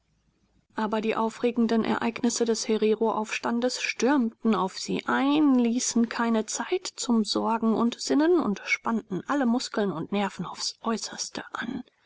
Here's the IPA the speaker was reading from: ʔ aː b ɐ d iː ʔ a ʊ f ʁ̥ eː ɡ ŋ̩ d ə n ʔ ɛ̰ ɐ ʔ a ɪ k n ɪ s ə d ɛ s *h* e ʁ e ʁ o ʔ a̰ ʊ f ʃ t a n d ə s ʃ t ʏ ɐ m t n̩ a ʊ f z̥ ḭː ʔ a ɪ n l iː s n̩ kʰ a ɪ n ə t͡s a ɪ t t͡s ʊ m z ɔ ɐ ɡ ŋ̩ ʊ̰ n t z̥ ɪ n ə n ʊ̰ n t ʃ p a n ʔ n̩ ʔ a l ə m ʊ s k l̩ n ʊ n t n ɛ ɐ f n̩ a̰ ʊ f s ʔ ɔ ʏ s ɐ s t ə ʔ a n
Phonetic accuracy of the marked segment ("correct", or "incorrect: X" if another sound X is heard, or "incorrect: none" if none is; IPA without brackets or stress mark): correct